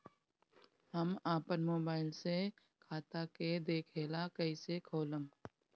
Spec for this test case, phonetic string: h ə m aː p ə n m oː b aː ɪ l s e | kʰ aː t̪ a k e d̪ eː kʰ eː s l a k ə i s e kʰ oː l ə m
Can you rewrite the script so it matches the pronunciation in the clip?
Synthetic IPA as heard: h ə m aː p ə n m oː b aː ɪ l s e | kʰ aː t̪ a k e d̪ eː kʰ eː l a k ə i s e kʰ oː l ə m